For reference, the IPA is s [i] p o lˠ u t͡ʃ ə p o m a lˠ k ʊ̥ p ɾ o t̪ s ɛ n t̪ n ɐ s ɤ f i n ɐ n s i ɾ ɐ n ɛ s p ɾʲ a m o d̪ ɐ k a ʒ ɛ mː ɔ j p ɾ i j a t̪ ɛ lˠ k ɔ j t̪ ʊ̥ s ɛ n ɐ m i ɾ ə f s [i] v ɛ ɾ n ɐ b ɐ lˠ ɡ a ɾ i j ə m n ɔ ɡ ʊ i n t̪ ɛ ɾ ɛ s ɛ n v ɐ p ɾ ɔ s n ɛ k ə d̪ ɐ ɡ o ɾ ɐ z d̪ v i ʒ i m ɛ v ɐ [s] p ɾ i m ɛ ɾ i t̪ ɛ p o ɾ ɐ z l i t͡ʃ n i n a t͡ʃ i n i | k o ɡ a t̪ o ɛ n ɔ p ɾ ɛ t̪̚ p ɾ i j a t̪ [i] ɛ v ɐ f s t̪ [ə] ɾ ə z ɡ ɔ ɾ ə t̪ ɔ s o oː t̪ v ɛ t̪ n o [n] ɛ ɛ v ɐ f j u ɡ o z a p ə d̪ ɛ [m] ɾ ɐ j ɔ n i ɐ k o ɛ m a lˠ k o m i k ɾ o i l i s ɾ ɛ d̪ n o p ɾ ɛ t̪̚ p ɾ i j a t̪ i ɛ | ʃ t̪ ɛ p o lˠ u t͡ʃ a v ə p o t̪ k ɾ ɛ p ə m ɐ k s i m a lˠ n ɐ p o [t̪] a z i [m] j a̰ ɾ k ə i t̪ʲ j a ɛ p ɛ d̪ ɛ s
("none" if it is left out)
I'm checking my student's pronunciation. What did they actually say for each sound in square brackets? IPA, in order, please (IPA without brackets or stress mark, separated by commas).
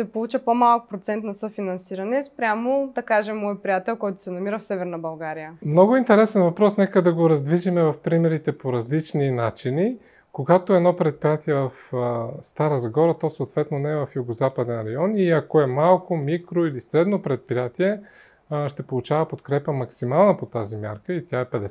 ɛ, ɛ, f, i, a, n, n, t̪, m